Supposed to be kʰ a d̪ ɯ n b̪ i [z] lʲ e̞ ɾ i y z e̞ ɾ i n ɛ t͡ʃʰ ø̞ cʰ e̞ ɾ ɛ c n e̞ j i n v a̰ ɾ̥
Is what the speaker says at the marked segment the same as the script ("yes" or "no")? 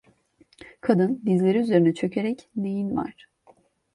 yes